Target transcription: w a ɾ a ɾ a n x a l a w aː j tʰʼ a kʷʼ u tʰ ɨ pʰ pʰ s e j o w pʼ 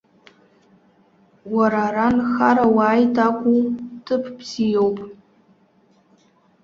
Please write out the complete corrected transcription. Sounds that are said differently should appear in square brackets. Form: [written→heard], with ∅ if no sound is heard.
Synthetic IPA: w a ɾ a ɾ a n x a [l→ɾ] a w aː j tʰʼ a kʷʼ u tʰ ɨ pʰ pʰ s [e→i] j o w pʼ